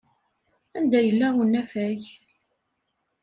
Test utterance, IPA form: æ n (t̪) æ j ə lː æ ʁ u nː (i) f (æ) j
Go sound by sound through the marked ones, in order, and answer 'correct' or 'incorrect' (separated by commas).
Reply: incorrect, incorrect, correct